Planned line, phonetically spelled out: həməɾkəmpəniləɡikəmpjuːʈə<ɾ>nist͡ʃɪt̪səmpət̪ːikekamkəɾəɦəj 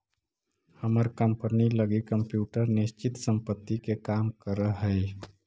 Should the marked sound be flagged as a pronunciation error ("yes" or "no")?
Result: no